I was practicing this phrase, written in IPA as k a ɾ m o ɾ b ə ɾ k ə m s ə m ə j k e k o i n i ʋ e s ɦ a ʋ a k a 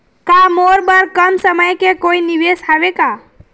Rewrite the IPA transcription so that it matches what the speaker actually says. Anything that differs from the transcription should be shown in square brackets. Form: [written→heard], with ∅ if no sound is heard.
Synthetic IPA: k a [ɾ→∅] m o ɾ b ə ɾ k ə m s ə m ə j k e k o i n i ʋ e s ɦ a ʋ [a→e] k a

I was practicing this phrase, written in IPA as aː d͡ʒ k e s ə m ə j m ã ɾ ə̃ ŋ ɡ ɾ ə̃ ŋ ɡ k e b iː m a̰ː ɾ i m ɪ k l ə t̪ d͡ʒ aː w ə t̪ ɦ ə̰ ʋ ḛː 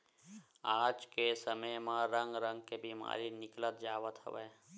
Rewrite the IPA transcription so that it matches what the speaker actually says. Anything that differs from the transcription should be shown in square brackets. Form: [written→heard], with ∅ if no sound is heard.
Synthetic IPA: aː d͡ʒ k e s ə m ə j m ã ɾ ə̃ ŋ ɡ ɾ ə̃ ŋ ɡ k e b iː m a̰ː ɾ i [m→n] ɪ k l ə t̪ d͡ʒ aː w ə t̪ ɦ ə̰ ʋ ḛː

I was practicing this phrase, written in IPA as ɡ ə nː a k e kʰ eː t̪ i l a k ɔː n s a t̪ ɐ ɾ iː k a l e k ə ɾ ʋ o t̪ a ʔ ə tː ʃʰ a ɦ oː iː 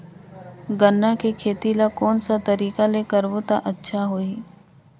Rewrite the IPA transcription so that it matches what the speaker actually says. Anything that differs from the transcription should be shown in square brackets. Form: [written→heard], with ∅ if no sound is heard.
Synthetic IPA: ɡ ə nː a k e kʰ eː t̪ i l a k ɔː n s a t̪ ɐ ɾ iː k a l e k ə ɾ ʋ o t̪ a ʔ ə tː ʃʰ a ɦ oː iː

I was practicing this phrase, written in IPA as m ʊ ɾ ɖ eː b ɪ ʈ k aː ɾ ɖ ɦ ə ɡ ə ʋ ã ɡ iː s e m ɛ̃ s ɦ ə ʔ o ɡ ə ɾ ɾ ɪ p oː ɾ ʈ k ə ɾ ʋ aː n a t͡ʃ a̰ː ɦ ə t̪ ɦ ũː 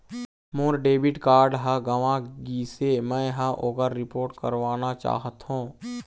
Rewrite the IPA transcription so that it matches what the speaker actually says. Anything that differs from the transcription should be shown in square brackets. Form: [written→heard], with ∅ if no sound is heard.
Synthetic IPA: m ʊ ɾ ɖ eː b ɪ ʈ k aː ɾ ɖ ɦ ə ɡ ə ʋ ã ɡ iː s e m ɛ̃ [s→∅] ɦ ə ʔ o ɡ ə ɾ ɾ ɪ p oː ɾ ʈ k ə ɾ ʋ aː n a t͡ʃ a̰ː ɦ ə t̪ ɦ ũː

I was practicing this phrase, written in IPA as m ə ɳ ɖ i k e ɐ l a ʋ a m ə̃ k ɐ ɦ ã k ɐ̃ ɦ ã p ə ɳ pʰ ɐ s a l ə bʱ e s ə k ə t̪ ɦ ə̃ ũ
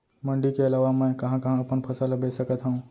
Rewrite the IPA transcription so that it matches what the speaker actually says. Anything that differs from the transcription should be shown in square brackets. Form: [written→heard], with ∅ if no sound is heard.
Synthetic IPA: m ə ɳ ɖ i k e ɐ l a ʋ a m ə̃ k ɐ ɦ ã k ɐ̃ ɦ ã p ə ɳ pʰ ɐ s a l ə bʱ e s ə k ə t̪ ɦ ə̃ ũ

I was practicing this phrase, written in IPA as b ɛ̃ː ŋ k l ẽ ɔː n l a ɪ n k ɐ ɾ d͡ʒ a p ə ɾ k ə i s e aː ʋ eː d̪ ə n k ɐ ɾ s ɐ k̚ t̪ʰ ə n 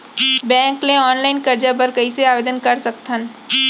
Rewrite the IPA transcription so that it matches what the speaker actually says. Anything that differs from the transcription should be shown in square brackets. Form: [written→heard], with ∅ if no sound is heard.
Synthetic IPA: b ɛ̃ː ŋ k l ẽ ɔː n l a ɪ n k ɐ ɾ d͡ʒ a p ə ɾ k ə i s e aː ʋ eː d̪ ə n k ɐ ɾ s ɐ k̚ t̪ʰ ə n

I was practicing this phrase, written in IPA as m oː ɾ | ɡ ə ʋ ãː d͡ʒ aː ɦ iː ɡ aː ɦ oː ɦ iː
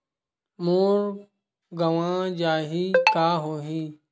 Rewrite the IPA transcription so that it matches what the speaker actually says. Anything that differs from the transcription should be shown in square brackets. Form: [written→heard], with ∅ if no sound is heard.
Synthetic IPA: m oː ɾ | ɡ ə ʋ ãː d͡ʒ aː ɦ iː [ɡ→k] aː ɦ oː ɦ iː

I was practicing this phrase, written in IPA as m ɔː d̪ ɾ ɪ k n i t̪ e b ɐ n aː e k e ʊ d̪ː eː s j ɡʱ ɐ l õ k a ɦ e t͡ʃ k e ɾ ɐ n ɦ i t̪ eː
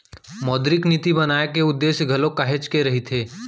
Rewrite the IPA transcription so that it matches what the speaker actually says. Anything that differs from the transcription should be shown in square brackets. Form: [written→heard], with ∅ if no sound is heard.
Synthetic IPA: m ɔː d̪ ɾ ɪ k n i t̪ [e→i] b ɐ n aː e k e ʊ d̪ː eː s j ɡʱ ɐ l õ k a ɦ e t͡ʃ k e ɾ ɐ [n→∅] ɦ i [t̪→t̪ʰ] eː

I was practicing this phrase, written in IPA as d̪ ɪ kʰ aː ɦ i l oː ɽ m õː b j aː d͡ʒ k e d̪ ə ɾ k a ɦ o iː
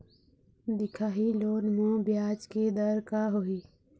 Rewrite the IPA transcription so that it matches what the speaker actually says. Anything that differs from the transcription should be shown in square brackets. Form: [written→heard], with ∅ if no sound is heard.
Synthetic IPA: d̪ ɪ kʰ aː ɦ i l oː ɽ m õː b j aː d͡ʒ k e d̪ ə ɾ k a ɦ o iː

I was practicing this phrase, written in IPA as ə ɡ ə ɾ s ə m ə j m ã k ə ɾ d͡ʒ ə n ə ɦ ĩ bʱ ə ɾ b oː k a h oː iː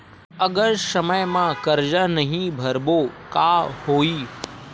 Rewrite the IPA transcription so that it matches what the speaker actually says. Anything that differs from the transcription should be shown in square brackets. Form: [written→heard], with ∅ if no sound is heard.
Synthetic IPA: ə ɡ ə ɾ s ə m ə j m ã k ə ɾ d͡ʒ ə n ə ɦ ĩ bʱ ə ɾ b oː k a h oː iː

